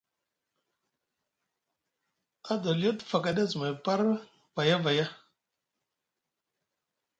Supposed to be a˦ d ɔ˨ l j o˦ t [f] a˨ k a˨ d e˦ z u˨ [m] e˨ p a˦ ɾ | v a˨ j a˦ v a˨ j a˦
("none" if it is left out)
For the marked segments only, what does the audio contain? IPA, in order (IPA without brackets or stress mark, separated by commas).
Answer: f, m